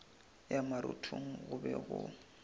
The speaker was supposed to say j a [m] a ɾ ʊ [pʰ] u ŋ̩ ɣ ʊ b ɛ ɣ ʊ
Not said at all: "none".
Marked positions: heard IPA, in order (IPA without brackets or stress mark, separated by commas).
m, tʰ